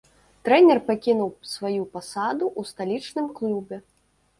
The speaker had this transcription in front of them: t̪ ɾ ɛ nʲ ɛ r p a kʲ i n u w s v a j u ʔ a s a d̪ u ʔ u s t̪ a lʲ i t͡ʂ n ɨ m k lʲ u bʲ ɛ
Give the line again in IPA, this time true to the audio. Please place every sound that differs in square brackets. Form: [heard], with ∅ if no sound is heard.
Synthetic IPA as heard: t̪ ɾ ɛ nʲ ɛ r p a kʲ i n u w s v a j u [p] a s a d̪ u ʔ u s t̪ a lʲ i t͡ʂ n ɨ m k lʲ u bʲ ɛ